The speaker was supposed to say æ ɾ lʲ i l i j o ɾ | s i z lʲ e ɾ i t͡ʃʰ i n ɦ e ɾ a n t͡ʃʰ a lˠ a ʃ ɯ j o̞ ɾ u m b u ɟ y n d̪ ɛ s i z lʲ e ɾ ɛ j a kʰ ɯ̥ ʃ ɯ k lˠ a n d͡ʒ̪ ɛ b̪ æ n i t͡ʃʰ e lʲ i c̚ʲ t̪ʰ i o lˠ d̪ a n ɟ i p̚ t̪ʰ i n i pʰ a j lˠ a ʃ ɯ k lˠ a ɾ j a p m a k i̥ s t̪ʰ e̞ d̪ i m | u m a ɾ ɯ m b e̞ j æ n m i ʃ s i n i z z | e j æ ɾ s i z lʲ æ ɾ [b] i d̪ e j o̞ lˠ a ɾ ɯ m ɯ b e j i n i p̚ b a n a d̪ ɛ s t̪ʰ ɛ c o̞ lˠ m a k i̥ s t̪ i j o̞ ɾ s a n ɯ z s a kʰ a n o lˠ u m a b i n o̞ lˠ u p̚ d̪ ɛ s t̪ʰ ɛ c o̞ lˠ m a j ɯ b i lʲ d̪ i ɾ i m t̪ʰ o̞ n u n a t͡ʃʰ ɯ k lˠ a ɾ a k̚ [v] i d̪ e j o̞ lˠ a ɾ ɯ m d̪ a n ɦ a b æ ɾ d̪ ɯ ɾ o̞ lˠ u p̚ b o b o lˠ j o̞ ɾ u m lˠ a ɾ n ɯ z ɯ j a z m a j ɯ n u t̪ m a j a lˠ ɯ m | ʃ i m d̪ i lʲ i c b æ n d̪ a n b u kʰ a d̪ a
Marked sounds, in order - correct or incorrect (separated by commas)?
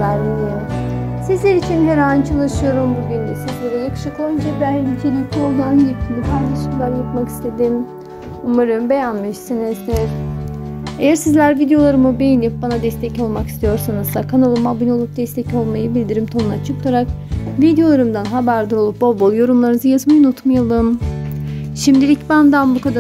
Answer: incorrect, correct